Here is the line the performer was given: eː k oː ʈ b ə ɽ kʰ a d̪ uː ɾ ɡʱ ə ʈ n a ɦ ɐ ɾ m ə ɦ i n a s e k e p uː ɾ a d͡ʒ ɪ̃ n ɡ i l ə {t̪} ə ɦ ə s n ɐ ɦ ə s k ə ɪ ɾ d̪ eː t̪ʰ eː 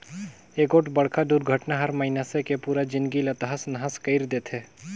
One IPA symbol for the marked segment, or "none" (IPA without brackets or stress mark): t̪